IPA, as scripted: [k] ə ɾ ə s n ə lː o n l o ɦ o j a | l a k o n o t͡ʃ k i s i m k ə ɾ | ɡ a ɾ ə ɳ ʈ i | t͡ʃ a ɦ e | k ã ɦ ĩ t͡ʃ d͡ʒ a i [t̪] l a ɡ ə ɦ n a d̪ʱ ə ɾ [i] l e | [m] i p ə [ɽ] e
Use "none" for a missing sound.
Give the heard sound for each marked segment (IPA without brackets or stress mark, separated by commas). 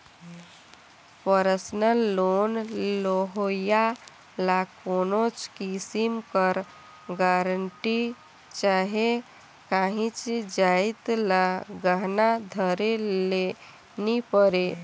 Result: p, t̪, e, n, ɾ